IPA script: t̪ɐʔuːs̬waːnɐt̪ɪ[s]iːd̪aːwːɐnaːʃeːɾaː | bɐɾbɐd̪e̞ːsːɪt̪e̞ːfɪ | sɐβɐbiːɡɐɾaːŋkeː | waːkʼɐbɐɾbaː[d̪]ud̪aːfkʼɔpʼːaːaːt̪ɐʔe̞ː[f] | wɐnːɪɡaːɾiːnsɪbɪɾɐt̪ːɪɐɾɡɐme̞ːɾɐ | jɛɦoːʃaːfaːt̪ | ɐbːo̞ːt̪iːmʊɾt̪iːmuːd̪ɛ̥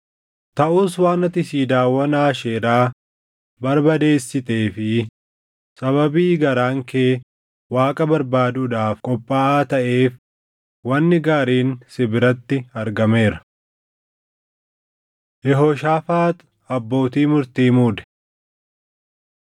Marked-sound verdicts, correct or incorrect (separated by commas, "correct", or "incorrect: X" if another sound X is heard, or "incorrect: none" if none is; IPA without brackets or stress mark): correct, correct, correct